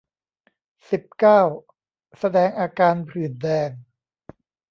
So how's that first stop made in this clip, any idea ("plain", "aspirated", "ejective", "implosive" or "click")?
plain